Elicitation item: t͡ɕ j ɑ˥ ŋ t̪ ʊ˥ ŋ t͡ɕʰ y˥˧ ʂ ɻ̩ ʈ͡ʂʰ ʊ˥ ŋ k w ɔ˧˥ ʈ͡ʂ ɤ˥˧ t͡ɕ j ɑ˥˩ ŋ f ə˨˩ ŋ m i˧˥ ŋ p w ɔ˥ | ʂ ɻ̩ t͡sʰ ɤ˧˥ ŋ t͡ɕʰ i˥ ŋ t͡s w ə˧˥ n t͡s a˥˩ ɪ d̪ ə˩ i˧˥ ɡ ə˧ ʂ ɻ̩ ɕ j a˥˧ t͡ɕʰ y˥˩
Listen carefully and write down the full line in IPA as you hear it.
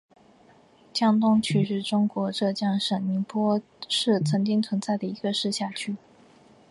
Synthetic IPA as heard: t͡ɕ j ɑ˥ ŋ t̪ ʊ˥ ŋ t͡ɕʰ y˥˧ ʂ ɻ̩ ʈ͡ʂ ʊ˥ ŋ k w ɔ˧˥ ʈ͡ʂ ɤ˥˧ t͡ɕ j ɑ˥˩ ŋ ʂ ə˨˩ ŋ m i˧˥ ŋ p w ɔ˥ | ʂ ɻ̩ t͡sʰ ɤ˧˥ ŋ t͡ɕ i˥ ŋ t͡sʰ w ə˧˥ n t͡s a˥˩ ɪ d̪ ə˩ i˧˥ ɡ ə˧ ʂ ɻ̩ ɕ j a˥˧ t͡ɕʰ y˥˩